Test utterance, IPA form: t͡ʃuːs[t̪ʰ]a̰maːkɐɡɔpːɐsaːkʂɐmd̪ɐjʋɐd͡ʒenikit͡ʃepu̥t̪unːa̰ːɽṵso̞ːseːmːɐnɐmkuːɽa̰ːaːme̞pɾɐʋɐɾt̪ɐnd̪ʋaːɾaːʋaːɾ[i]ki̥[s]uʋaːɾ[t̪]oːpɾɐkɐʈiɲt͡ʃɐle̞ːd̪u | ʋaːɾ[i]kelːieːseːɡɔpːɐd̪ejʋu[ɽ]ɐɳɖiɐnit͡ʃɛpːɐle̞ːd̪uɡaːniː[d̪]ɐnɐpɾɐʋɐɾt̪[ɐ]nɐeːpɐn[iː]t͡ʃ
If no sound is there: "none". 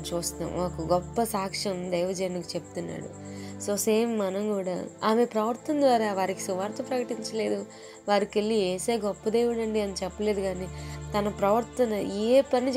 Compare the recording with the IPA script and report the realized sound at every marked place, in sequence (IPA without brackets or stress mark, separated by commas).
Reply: t̪, i, s, t̪, i, ɽ, t̪, ɐ, i